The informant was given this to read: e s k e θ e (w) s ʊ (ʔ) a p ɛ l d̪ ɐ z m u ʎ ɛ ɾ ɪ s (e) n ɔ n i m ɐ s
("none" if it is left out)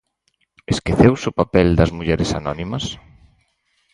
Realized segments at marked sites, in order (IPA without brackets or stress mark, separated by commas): w, p, a